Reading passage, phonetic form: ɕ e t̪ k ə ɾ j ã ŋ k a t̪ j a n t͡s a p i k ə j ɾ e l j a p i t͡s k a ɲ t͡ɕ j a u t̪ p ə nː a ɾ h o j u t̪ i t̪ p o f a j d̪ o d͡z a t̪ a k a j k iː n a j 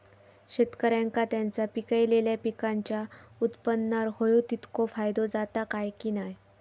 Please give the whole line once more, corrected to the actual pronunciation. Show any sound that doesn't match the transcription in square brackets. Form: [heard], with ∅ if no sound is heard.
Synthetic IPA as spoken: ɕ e t̪ k ə ɾ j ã ŋ k a t̪ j a n t͡s a p i k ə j [l] e l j a p i [∅] k a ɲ t͡ɕ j a u t̪ p ə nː a ɾ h o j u t̪ i t̪ [k] o f a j d̪ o d͡z a t̪ a k a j k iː n a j